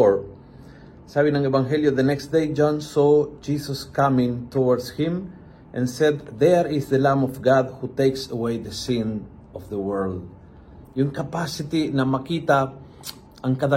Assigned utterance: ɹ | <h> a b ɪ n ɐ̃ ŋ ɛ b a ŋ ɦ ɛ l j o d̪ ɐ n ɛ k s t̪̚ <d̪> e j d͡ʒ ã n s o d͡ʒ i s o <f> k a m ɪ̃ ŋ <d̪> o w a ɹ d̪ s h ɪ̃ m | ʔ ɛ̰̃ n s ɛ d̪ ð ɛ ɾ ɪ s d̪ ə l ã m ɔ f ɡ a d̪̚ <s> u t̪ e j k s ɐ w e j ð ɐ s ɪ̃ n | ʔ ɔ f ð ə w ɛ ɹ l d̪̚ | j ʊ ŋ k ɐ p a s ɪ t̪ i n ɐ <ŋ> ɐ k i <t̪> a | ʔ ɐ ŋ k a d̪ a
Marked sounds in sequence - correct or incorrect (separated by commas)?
incorrect, correct, incorrect, incorrect, incorrect, incorrect, correct